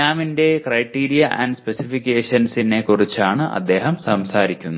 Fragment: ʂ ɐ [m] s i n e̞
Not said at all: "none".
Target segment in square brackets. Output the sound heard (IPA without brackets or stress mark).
n